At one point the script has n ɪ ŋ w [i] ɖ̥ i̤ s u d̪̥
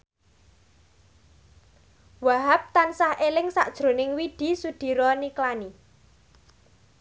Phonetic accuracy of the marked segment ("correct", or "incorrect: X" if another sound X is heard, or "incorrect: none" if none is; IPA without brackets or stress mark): correct